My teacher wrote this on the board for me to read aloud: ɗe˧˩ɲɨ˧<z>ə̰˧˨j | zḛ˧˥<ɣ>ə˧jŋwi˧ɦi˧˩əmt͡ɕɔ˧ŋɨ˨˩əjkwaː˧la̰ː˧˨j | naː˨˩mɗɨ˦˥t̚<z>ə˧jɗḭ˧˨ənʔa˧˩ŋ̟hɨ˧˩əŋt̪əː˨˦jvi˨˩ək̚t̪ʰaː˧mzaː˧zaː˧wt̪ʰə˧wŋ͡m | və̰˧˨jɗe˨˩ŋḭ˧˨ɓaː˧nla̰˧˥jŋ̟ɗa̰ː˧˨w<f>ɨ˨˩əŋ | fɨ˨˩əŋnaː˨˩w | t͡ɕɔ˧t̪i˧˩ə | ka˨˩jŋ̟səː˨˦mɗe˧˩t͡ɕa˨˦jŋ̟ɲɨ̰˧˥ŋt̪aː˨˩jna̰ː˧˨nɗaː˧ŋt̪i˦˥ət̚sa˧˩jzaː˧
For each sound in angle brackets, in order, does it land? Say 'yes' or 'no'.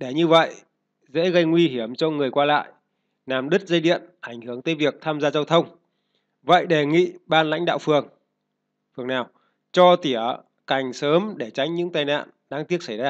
no, yes, yes, yes

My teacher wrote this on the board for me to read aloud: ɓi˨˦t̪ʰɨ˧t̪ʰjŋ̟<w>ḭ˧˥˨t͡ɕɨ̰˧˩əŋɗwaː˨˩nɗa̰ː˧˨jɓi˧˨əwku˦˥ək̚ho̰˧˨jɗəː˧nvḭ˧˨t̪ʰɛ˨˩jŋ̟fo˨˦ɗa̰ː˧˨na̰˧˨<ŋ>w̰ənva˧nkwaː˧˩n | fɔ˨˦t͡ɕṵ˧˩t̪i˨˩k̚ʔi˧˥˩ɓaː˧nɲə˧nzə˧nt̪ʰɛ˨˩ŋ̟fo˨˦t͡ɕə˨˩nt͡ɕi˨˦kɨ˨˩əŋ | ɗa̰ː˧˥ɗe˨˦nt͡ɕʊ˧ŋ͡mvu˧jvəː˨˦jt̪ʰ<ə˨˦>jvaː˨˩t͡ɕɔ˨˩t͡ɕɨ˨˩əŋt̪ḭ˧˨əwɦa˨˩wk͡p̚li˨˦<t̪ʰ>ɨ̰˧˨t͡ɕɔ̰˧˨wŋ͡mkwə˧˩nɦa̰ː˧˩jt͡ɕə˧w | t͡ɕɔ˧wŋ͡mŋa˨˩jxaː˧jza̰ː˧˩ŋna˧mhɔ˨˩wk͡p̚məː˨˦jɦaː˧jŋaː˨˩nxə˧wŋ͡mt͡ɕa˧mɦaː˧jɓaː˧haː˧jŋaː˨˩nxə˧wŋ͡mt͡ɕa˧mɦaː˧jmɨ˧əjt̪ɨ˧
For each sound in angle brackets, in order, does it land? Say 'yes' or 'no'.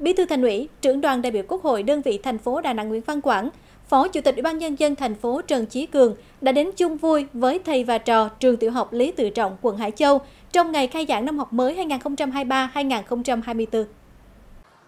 yes, yes, no, no

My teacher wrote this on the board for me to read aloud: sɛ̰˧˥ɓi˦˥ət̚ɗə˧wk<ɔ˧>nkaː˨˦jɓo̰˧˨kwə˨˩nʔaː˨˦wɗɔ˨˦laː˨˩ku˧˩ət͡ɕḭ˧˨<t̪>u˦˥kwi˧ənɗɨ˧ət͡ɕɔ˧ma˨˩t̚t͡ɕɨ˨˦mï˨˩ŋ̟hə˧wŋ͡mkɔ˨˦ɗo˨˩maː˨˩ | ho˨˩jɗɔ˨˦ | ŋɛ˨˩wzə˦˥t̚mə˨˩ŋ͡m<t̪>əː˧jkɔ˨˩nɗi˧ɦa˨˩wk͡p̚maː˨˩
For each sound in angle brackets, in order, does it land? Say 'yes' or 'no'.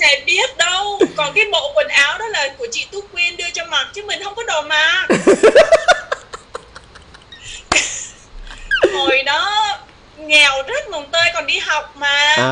no, yes, yes

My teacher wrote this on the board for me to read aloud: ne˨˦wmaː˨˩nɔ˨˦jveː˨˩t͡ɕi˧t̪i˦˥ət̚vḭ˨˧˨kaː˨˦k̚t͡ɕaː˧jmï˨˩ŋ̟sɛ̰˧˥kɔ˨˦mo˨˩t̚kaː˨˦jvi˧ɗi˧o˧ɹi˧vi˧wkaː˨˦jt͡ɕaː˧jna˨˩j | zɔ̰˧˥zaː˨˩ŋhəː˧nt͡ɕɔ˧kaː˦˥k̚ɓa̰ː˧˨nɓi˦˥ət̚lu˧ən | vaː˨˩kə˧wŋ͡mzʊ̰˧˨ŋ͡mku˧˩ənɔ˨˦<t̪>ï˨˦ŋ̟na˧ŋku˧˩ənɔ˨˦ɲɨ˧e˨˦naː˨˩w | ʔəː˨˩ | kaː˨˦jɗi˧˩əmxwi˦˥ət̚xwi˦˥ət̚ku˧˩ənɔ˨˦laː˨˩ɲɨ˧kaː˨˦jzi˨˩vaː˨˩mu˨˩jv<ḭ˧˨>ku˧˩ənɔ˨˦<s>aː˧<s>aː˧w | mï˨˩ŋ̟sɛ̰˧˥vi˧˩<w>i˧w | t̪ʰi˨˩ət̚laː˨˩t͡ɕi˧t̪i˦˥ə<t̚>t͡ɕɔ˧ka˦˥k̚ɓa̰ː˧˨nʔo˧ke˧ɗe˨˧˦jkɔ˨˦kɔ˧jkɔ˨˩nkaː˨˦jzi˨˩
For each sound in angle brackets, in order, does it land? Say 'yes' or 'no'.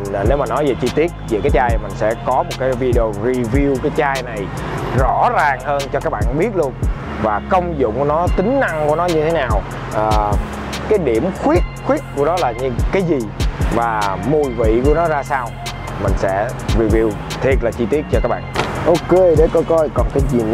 yes, yes, no, yes, no, yes

